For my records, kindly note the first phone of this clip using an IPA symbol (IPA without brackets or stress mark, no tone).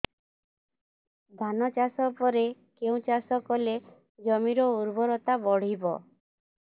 d̪ʱ